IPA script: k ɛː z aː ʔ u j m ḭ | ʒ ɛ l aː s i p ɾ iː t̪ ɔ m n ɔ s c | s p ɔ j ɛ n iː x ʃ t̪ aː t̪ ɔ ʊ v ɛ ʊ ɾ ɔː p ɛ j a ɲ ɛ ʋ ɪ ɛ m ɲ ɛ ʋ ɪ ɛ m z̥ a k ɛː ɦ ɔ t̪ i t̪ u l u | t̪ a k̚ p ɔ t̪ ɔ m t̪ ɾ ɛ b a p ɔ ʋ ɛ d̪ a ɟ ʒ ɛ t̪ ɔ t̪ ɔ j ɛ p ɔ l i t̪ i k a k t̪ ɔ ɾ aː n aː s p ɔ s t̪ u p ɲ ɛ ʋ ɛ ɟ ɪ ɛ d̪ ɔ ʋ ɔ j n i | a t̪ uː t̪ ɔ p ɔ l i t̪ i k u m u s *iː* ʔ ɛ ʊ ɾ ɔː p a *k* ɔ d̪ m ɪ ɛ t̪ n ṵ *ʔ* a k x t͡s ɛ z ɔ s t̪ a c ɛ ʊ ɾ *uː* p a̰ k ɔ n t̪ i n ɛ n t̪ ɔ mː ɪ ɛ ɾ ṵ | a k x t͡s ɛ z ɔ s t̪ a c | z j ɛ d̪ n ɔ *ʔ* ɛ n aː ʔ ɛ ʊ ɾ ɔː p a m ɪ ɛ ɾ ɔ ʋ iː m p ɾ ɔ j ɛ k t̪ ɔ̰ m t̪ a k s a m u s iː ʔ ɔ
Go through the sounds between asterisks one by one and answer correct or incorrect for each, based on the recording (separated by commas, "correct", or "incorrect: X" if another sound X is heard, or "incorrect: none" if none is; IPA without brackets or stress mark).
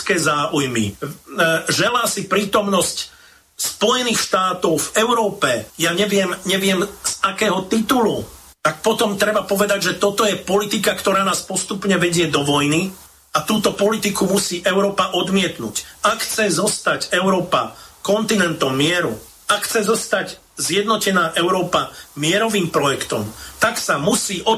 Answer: correct, incorrect: ʔ, incorrect: c, incorrect: ɔː, incorrect: c